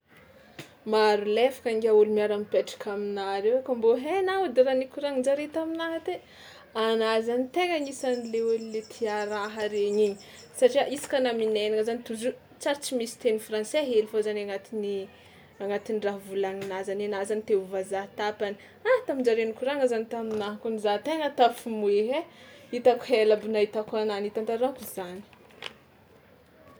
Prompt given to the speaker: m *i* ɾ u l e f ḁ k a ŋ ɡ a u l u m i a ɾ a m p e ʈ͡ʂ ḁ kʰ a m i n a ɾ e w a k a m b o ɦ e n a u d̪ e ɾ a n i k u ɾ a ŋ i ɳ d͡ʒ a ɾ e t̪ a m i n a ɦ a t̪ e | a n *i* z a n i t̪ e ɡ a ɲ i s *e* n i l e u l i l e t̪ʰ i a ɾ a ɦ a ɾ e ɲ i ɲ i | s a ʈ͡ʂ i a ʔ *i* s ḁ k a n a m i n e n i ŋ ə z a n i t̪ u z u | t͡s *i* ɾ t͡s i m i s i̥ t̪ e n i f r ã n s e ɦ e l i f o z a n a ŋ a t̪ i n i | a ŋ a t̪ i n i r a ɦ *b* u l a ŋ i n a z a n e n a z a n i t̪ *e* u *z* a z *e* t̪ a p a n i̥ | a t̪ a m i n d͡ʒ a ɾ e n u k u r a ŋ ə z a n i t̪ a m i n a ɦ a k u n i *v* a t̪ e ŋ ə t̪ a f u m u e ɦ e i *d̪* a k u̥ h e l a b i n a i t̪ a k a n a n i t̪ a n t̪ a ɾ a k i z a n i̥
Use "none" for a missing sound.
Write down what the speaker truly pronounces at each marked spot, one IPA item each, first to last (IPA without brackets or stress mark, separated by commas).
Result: a, a, a, i, a, v, e, v, a, z, t̪